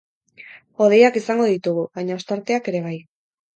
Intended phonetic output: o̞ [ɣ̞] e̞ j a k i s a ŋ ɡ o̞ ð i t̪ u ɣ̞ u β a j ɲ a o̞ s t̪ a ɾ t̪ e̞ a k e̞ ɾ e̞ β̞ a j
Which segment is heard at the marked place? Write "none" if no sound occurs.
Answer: ð̞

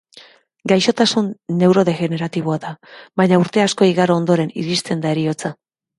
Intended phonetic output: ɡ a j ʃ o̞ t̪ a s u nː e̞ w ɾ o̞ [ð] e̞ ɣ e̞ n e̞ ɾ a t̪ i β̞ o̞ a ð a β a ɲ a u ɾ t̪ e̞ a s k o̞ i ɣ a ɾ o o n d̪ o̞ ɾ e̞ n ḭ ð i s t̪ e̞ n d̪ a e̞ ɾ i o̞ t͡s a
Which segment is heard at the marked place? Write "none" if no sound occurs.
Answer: ð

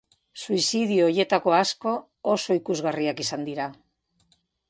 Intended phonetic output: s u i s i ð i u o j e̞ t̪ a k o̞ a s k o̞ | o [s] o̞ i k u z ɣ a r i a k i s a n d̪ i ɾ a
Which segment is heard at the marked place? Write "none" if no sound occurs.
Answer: s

